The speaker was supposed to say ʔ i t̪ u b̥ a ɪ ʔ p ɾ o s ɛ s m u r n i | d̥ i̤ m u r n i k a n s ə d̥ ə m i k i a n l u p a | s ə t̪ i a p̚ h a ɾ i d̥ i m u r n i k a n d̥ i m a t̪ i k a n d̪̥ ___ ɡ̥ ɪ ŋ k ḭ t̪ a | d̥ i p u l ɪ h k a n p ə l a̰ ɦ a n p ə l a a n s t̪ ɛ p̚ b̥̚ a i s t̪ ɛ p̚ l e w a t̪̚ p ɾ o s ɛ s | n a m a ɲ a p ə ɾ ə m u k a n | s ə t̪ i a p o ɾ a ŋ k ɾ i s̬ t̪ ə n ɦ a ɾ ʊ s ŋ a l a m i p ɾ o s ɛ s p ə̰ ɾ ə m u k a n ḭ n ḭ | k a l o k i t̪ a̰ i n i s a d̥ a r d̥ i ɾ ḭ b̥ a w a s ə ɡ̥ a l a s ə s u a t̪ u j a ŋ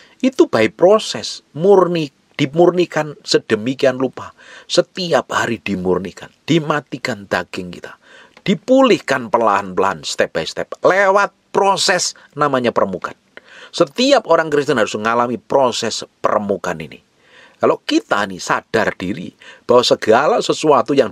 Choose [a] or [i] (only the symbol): a